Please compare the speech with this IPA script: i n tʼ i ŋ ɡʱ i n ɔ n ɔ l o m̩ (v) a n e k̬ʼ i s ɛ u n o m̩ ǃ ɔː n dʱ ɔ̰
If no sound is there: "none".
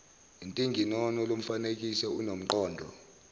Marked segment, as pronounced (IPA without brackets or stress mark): f